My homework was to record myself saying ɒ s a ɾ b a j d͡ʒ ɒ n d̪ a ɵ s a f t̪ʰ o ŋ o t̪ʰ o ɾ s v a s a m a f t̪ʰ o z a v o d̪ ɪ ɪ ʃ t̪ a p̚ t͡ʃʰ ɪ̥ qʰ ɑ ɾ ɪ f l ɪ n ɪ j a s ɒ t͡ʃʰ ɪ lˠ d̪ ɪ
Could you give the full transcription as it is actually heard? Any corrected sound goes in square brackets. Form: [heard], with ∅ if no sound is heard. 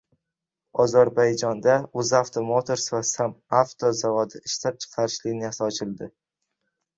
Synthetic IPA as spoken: ɒ [z] a ɾ b a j d͡ʒ ɒ n d̪ a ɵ [z] a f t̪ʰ o [m] o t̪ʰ o ɾ s v a s a m a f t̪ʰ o z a v [ɒ] d̪ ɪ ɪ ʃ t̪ a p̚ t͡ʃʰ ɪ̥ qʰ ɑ ɾ ɪ [ʃ] l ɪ n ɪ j a s ɒ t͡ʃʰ ɪ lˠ d̪ ɪ

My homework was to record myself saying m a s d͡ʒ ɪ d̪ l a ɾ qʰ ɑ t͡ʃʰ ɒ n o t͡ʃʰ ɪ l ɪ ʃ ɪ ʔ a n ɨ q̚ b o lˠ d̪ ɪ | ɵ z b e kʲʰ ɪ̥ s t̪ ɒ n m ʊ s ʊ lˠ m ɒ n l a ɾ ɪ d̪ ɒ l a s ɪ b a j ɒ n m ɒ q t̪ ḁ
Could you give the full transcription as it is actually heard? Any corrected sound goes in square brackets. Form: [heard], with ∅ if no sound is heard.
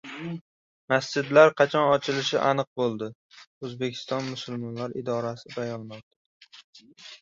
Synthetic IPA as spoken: m a s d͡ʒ ɪ d̪ l a ɾ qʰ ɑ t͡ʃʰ ɒ n [ɒ] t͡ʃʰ ɪ l ɪ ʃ ɪ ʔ a n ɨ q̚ b o lˠ d̪ ɪ | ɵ z b e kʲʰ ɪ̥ s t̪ ɒ n m ʊ s ʊ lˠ m ɒ n l a ɾ ɪ d̪ ɒ [ɾ] a s ɪ b a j ɒ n m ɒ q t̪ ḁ

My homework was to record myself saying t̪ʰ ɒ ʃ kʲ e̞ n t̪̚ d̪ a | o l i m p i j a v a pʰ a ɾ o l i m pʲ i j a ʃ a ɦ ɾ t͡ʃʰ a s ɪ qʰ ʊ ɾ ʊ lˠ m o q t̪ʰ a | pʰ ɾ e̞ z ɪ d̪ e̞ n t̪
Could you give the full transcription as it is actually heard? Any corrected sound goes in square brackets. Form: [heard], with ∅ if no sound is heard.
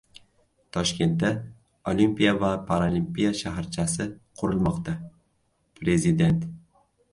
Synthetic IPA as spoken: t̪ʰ ɒ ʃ kʲ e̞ n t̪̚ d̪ a | o l i m p i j a v a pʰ a ɾ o l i m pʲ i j a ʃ a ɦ ɾ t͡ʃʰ a s ɪ qʰ ʊ ɾ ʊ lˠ m [ɒ] q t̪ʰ a | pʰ ɾ e̞ z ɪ d̪ e̞ n t̪

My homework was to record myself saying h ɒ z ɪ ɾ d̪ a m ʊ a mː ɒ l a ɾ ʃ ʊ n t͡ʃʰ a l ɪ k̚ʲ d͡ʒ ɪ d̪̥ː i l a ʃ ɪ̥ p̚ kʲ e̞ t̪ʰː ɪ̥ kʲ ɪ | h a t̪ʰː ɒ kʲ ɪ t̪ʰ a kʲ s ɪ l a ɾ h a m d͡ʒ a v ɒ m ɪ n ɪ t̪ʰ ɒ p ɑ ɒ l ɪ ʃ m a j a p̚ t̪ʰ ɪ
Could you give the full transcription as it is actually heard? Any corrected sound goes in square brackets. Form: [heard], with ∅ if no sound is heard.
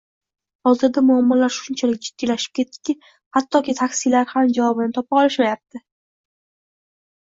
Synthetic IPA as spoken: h ɒ z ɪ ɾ d̪ a m ʊ a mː ɒ l a ɾ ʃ ʊ n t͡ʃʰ a l ɪ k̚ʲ d͡ʒ ɪ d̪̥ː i l a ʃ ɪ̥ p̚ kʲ e̞ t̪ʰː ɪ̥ kʲ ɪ | h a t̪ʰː ɒ kʲ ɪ t̪ʰ a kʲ s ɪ l a ɾ h a m d͡ʒ a v ɒ [b] ɪ n ɪ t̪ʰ ɒ p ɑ ɒ l ɪ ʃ m a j a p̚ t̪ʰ ɪ

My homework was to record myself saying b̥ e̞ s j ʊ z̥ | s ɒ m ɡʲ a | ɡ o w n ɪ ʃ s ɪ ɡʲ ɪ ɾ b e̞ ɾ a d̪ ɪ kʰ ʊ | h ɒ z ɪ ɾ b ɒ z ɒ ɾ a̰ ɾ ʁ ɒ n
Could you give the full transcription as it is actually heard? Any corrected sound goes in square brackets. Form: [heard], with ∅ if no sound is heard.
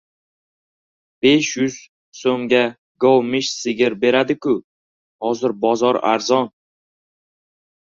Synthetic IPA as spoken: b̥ e̞ [ʃ] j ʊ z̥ | s [o] m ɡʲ a | ɡ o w [m] ɪ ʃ s ɪ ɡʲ ɪ ɾ b e̞ ɾ a d̪ ɪ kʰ ʊ | h ɒ z ɪ ɾ b ɒ z ɒ ɾ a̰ ɾ [z] ɒ n

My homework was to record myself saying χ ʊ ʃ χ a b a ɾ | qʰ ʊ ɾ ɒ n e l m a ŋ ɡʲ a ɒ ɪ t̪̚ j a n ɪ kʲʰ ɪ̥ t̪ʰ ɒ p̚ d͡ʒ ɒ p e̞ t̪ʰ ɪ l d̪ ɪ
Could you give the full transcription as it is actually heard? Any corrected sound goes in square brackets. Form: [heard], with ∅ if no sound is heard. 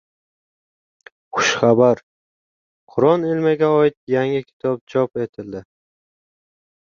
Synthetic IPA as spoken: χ ʊ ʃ χ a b a ɾ | qʰ ʊ ɾ ɒ n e l m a [∅] ɡʲ a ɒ ɪ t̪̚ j a [ŋ] ɪ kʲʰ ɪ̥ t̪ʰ ɒ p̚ d͡ʒ ɒ p e̞ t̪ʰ ɪ l d̪ ɪ

